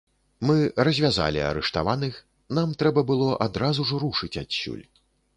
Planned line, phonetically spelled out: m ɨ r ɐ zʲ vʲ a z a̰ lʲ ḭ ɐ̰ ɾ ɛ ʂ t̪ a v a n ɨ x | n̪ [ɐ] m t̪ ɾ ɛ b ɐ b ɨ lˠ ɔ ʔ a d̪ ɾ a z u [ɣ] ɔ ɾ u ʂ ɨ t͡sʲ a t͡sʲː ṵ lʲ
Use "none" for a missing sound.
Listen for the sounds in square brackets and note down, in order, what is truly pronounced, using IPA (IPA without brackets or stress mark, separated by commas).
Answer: a, ʐ